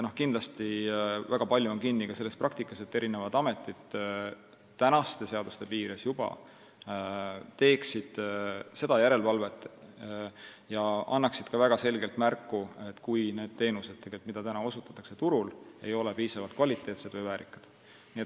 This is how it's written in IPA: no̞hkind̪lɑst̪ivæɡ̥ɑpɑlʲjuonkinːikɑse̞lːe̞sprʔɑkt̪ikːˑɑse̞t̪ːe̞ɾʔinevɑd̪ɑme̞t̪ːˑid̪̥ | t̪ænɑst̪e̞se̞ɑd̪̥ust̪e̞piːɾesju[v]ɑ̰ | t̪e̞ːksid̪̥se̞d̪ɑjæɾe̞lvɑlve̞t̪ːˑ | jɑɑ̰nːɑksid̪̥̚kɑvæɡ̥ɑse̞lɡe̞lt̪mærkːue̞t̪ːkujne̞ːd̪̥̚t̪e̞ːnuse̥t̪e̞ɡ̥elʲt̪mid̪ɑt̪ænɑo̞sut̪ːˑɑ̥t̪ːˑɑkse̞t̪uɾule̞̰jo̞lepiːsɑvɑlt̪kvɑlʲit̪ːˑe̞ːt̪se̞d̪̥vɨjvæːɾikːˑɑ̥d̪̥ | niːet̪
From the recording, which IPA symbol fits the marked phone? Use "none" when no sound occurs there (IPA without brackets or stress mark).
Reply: b